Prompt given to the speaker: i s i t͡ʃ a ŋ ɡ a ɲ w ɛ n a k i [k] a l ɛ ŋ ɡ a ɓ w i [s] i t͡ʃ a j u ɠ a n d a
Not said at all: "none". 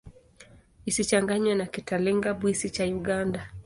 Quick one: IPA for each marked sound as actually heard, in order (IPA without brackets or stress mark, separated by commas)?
t, s